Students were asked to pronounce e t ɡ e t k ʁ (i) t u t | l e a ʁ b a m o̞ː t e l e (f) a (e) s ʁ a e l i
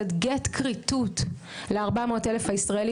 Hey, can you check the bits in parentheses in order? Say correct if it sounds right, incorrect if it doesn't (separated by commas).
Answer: correct, correct, incorrect